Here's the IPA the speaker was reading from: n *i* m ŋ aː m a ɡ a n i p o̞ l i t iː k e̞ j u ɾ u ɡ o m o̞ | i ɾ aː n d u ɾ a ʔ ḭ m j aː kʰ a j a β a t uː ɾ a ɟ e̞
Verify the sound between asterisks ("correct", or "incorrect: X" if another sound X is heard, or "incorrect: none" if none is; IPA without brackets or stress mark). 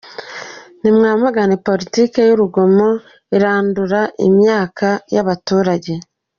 correct